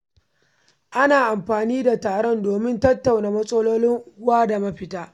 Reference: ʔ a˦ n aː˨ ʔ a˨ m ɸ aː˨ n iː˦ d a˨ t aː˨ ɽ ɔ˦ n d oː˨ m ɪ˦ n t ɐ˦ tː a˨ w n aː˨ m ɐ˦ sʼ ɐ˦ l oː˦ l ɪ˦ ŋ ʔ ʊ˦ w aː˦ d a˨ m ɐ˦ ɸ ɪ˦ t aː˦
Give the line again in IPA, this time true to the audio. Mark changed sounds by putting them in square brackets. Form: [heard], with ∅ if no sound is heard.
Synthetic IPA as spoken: ʔ a˦ n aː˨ ʔ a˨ m ɸ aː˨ n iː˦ d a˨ t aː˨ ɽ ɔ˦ n d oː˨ m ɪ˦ n t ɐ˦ tː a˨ w n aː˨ m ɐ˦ sʼ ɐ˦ l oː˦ l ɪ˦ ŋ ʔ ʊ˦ w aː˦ d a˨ m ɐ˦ ɸ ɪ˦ t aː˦